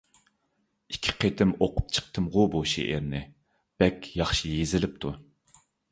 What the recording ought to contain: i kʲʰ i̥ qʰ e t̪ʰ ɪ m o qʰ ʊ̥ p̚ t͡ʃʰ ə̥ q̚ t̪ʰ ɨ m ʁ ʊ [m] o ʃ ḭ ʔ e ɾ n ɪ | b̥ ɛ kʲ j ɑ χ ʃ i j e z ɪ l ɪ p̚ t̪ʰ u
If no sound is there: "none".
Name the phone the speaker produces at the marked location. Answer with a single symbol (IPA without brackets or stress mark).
b